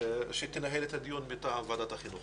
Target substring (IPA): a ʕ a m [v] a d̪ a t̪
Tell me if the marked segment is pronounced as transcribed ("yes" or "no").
yes